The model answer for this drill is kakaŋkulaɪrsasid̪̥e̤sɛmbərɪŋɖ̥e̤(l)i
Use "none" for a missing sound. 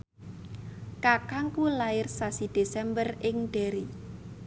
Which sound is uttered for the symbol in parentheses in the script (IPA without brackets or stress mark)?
ɾ